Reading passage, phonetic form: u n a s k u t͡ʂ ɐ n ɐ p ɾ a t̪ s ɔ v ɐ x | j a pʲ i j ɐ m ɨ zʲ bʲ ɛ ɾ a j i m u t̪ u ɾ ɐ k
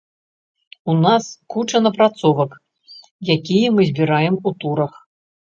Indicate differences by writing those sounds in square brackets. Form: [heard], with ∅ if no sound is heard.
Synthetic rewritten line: u n a s k u t͡ʂ ɐ n ɐ p ɾ a t̪ s ɔ v ɐ [k] | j a [kʲ] i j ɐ m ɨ zʲ bʲ [i] ɾ a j [ɛ] m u t̪ u ɾ ɐ [x]